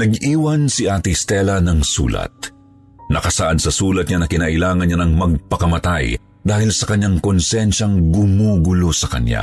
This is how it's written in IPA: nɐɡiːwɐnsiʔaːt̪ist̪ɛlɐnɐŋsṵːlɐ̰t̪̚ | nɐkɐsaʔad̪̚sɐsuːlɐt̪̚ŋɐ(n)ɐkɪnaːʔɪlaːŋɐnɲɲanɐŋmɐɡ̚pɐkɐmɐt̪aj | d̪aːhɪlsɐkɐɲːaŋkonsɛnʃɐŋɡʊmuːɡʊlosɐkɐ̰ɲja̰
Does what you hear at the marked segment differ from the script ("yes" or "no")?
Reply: no